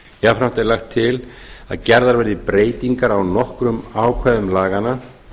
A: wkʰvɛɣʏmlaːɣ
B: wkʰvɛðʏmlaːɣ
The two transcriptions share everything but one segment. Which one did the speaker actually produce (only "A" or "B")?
B